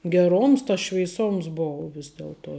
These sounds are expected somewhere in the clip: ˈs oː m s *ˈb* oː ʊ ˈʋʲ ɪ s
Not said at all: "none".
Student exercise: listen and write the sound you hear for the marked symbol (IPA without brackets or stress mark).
b